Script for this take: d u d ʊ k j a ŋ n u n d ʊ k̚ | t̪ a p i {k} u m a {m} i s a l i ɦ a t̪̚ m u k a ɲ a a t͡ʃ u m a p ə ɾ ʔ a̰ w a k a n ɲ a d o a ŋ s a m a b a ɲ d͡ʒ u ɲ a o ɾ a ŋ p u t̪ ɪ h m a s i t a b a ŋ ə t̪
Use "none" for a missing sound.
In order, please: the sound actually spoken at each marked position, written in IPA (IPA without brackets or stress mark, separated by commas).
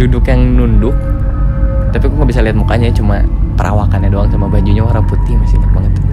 k, b